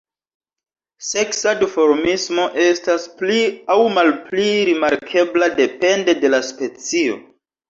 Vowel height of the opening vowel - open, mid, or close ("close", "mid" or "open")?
mid